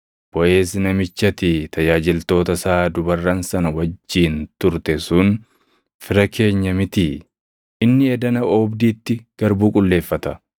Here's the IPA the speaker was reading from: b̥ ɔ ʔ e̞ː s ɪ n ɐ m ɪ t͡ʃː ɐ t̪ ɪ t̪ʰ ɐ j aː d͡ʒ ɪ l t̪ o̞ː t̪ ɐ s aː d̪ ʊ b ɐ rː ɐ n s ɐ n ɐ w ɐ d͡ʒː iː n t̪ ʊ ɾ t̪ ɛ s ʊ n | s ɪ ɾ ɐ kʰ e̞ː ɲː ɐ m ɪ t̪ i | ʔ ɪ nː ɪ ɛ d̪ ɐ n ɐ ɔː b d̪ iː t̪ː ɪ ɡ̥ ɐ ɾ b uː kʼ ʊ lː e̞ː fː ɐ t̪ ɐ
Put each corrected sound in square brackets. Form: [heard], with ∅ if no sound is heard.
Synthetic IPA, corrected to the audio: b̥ ɔ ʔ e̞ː s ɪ n ɐ m ɪ t͡ʃː ɐ t̪ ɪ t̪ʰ ɐ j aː d͡ʒ ɪ l t̪ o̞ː t̪ ɐ s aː d̪ ʊ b ɐ rː ɐ n s ɐ n ɐ w ɐ d͡ʒː iː n t̪ ʊ ɾ t̪ ɛ s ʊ n | [f] ɪ ɾ ɐ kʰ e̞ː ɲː ɐ m ɪ t̪ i | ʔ ɪ nː ɪ ɛ d̪ ɐ n ɐ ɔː b d̪ iː t̪ː ɪ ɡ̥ ɐ ɾ b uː kʼ ʊ lː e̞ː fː ɐ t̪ ɐ